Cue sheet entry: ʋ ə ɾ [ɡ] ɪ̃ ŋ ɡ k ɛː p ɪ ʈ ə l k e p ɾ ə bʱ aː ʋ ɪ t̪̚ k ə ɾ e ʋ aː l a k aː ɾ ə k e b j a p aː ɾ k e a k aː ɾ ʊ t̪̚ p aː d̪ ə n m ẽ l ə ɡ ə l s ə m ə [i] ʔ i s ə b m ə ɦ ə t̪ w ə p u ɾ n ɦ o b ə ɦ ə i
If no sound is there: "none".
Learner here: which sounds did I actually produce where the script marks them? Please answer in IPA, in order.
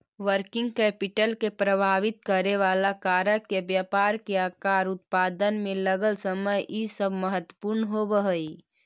k, j

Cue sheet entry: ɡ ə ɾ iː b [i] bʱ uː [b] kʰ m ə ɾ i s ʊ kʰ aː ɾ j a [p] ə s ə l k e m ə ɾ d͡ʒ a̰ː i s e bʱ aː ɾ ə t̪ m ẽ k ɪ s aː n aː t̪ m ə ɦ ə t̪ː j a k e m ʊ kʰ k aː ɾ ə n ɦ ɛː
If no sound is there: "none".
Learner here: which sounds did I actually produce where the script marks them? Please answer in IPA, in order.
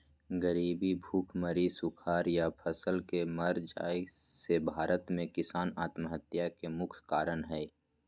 i, none, pʰ

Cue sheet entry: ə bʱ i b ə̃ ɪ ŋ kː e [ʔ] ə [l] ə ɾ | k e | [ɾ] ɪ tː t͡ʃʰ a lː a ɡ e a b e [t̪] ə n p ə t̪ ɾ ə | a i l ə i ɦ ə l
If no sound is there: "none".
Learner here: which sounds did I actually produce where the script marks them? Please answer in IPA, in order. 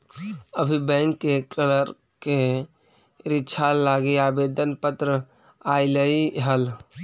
k, l, ɾ, d̪

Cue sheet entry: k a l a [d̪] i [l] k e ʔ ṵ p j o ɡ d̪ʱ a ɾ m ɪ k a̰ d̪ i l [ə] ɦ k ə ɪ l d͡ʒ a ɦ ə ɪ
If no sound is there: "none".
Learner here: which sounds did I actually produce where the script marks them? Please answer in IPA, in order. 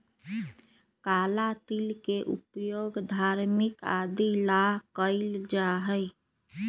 t̪, l, a

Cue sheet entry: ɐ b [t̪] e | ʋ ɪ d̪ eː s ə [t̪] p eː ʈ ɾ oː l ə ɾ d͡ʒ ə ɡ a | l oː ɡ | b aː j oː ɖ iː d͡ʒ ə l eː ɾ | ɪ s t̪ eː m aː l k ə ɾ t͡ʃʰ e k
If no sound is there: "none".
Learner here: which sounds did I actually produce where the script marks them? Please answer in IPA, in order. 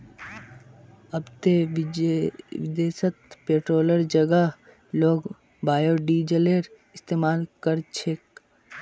t̪, t̪

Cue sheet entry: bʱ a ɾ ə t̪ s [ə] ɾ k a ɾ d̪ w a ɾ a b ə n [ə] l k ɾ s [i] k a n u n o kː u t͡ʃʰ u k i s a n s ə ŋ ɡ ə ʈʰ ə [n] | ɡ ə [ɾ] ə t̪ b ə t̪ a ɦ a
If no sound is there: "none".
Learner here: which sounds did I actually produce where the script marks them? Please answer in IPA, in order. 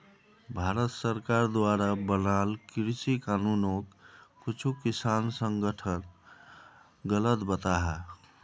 ə, a, i, n, l

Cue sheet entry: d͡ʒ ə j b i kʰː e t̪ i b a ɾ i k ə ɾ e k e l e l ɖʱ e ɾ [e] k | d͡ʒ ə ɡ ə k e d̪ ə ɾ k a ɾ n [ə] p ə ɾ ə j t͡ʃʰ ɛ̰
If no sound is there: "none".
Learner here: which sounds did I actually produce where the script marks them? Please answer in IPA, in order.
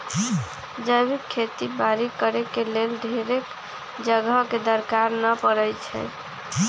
e, ə

